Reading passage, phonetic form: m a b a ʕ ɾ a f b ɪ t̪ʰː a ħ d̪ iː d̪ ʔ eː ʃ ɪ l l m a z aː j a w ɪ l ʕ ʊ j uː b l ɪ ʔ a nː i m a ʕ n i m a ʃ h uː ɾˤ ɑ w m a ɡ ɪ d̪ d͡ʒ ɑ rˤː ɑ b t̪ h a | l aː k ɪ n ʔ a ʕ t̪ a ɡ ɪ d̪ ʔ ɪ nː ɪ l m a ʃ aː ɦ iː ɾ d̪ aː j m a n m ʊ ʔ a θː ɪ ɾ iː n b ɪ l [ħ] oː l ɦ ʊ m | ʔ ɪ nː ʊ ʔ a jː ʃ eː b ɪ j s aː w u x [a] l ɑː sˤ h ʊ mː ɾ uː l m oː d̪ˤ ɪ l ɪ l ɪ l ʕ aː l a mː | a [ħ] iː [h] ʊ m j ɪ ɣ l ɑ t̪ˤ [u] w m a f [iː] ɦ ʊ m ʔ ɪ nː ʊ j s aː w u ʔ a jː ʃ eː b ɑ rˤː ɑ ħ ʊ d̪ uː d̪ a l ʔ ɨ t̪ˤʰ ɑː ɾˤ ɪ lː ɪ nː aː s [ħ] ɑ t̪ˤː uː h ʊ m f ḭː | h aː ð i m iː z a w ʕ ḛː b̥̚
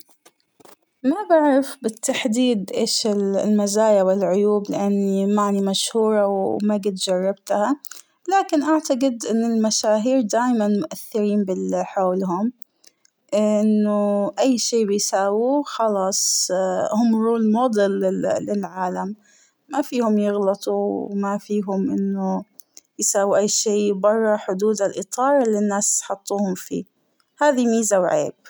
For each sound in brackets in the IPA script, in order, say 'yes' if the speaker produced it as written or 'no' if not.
yes, no, no, yes, yes, yes, yes

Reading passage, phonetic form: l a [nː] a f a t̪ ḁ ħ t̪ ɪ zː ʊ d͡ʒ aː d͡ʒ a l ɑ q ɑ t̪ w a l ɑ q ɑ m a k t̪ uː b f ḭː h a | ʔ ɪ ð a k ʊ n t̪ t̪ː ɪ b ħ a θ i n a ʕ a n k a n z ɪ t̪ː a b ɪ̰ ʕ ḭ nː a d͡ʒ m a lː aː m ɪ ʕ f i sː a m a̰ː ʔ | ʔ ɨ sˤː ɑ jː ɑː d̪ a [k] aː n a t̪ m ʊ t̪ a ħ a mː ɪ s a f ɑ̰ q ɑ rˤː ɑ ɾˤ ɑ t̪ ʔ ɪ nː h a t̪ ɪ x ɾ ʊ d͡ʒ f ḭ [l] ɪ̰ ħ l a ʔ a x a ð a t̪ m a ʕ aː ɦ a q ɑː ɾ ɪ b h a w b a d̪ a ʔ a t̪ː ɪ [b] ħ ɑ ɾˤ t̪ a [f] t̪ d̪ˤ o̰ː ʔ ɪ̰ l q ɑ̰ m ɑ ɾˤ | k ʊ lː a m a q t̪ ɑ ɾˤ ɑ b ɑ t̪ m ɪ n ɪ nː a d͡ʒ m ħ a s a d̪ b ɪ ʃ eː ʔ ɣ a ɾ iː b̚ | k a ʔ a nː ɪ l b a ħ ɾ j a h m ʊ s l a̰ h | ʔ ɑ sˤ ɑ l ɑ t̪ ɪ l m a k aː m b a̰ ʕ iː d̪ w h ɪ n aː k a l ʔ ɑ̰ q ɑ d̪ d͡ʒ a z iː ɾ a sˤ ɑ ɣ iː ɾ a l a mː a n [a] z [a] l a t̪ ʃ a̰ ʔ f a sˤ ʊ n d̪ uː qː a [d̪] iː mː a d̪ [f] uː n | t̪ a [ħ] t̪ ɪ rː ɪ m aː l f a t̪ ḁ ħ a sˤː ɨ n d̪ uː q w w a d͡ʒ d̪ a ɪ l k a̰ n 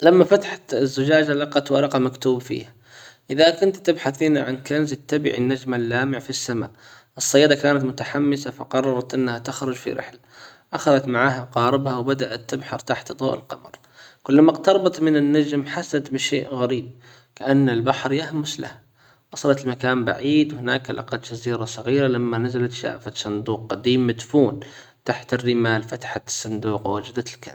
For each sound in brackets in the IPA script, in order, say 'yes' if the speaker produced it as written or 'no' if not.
no, yes, no, yes, no, yes, yes, yes, yes, yes

